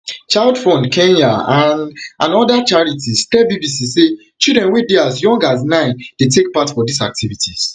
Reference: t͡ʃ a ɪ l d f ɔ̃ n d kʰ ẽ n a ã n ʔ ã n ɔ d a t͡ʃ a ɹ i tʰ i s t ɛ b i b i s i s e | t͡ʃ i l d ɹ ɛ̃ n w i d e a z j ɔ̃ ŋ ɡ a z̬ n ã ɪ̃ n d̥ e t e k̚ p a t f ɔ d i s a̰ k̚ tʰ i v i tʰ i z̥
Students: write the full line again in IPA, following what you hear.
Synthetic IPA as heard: t͡ʃ a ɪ l d f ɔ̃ n d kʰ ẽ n a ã n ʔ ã n ɔ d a t͡ʃ a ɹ i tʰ i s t ɛ b i b i s i s e | t͡ʃ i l d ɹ ɛ̃ n w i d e a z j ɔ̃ ŋ ɡ a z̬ n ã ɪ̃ n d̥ e t e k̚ p a t f ɔ d i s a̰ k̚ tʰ i v i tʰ i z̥